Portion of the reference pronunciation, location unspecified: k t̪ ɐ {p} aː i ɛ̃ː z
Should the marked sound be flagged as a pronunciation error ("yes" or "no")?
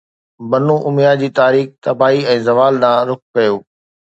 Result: yes